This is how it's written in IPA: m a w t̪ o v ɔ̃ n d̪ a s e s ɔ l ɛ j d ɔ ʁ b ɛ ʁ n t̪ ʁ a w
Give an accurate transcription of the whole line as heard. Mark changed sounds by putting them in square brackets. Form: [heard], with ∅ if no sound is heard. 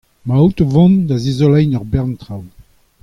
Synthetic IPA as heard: m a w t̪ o v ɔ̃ n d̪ a [z] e [z] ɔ l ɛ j [n] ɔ ʁ b ɛ ʁ n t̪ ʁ a w